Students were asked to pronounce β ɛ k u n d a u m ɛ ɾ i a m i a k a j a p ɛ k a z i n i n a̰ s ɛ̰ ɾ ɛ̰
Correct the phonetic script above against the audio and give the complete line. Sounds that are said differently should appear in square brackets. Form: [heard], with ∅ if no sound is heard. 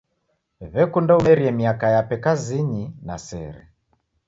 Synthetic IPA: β ɛ k u n d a u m ɛ ɾ i [ɛ] m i a k a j a p ɛ k a z i [ɲ] i n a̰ s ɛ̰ ɾ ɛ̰